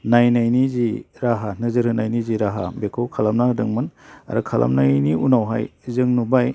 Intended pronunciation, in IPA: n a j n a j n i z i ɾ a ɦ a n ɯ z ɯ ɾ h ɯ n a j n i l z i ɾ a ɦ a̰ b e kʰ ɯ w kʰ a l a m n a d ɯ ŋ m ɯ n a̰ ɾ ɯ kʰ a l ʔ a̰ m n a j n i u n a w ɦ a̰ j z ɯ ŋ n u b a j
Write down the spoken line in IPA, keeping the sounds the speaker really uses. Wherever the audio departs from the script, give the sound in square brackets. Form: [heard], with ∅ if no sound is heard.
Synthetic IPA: n a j n a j n i z i ɾ a ɦ a n ɯ z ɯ ɾ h ɯ n a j n i [∅] z i ɾ a ɦ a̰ b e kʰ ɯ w kʰ a l a m n a d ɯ ŋ m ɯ n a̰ ɾ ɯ kʰ a l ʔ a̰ m n a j n i u n a w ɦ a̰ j z ɯ ŋ n u b a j